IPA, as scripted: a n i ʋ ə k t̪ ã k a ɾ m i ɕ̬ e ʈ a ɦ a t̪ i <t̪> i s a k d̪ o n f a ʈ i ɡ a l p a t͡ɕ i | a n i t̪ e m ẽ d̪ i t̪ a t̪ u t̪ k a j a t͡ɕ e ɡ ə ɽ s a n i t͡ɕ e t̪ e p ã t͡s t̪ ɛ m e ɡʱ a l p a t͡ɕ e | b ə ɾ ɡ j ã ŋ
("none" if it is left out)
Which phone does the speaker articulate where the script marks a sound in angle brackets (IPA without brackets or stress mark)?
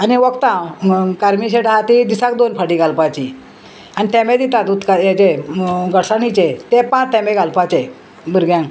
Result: d̪